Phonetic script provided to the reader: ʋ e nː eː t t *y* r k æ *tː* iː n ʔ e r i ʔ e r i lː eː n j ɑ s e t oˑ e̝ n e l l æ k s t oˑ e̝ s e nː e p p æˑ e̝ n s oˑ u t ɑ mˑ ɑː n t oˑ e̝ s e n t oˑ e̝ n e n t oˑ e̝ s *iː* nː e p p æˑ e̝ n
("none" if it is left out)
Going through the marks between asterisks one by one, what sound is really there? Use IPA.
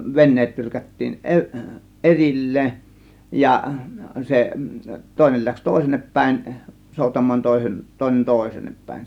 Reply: y, tː, eː

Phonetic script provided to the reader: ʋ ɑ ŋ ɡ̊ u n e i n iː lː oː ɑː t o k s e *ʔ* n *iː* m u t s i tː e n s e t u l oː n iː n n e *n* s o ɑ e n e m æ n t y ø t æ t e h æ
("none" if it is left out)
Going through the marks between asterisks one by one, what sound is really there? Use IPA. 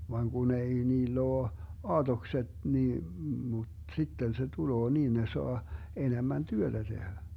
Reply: t, iː, none

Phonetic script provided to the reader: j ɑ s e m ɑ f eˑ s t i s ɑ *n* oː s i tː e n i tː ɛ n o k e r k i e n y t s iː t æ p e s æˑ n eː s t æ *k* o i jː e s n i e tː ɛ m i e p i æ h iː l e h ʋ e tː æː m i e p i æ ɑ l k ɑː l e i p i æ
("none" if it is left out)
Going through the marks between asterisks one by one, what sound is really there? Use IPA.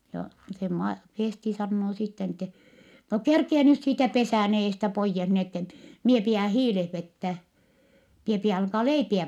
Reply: nː, p

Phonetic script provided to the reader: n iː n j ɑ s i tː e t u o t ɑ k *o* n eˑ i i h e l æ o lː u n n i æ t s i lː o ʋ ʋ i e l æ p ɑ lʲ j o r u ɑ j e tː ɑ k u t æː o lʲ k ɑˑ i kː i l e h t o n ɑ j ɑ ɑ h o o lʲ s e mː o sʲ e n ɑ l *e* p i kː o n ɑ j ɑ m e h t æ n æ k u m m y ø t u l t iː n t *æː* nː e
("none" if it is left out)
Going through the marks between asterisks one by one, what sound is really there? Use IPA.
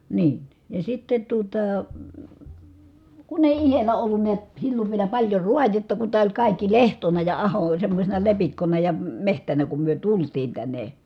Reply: u, e, æ

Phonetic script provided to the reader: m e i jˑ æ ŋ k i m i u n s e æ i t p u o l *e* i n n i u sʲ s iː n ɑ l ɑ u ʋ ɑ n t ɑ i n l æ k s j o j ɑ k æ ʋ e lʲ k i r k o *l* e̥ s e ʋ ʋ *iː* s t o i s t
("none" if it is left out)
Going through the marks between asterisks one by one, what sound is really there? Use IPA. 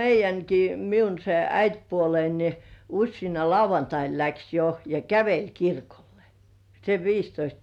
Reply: e, lː, iː

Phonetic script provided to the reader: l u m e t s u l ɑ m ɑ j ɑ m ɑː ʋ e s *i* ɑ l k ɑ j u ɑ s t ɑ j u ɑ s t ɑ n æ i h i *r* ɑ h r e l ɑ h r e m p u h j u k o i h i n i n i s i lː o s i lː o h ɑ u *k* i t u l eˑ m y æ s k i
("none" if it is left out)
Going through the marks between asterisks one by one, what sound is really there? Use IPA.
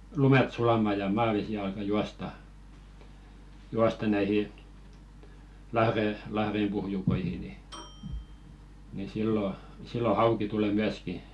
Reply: i, l, k

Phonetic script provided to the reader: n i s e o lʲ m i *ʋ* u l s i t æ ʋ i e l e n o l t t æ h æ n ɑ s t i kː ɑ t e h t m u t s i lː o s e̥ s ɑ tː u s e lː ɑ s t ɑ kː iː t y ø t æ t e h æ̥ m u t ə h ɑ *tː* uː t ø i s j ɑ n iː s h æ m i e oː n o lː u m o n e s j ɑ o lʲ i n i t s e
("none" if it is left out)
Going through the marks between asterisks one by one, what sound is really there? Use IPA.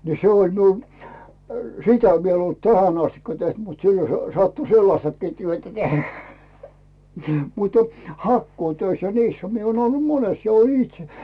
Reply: none, kː

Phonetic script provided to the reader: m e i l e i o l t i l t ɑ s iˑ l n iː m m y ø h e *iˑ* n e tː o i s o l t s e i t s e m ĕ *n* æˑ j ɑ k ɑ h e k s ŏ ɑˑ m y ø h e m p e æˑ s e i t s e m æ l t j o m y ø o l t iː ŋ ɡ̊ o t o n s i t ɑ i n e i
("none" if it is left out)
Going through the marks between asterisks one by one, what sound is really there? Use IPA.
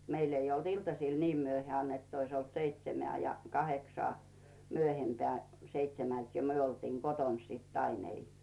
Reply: æˑ, none

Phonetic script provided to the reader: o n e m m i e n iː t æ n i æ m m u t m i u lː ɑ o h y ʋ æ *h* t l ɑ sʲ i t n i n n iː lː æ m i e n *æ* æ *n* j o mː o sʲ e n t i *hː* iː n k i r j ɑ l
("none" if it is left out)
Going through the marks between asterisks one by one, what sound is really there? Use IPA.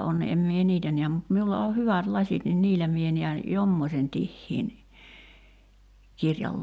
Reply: none, i, n, hː

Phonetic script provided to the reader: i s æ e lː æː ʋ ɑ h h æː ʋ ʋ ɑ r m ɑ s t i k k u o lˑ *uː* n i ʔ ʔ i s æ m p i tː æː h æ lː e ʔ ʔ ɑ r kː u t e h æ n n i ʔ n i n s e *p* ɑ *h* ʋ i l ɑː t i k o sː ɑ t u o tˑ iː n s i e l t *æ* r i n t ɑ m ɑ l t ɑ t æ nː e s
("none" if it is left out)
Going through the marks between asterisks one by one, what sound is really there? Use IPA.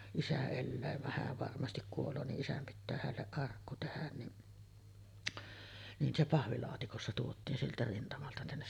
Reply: oː, p, h, æ

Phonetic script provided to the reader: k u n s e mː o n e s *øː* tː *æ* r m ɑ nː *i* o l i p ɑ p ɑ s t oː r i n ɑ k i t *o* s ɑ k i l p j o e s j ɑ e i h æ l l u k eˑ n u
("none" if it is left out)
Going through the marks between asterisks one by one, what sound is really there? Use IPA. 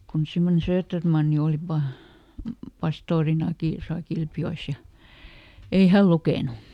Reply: øː, e, i, o

